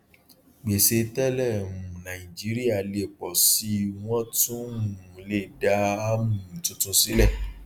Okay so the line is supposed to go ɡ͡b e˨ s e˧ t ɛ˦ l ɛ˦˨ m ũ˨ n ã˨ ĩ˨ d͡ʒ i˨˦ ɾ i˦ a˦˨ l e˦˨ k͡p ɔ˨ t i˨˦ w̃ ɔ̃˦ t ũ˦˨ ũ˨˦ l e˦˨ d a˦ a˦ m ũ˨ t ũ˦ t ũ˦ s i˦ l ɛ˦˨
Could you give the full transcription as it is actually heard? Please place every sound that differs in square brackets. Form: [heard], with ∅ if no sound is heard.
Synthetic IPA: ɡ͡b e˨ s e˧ t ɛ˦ l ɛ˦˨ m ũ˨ n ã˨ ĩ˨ d͡ʒ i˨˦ ɾ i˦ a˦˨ l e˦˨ k͡p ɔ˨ [s] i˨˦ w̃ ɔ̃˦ t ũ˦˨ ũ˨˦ l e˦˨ d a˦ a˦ m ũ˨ t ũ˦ t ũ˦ s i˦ l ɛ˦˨